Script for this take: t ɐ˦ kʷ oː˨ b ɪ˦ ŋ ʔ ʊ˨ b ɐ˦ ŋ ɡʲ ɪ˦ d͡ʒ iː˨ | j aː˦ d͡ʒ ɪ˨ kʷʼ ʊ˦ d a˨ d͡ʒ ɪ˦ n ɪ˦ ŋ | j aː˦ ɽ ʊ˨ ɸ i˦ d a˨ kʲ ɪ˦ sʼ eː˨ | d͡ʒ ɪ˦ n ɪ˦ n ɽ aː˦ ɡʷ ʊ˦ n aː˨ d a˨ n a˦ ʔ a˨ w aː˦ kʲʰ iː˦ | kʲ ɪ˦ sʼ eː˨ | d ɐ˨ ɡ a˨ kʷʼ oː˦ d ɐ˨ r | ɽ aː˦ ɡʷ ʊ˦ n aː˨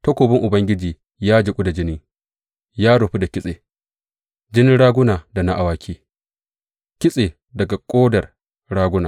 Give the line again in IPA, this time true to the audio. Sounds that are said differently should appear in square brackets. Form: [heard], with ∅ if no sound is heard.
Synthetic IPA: t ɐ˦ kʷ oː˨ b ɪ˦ ŋ ʔ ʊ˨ b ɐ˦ ŋ ɡʲ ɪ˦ d͡ʒ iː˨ | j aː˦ d͡ʒ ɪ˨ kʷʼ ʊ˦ d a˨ d͡ʒ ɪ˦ n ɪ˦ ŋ | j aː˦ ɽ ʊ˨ ɸ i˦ d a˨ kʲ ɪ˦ sʼ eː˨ | d͡ʒ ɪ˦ n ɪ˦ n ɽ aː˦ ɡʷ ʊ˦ n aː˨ d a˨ n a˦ ʔ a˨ w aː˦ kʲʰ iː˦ | kʲ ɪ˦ sʼ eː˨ | d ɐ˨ ɡ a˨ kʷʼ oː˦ d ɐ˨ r | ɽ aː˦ ɡʷ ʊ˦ n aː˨